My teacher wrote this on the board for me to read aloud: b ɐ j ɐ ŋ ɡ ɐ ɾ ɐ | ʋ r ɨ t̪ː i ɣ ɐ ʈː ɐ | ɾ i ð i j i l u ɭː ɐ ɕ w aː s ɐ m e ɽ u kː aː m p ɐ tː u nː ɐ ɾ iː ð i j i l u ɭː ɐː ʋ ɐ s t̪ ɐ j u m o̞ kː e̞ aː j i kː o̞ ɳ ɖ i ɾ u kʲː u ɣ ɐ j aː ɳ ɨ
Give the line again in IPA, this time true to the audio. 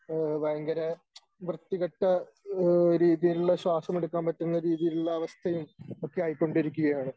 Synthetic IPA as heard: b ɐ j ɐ ŋ ɡ ɐ ɾ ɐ | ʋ r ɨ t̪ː i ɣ ɐ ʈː ɐ | ɾ iː ð i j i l u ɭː ɐ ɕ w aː s ɐ m e ɽ u kː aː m p ɐ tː u nː ɐ ɾ iː ð i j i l u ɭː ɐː ʋ ɐ s t̪ʰ ɐ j u m o̞ kː e̞ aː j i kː o̞ ɳ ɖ i ɾ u kʲː u ɣ ɐ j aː ɳ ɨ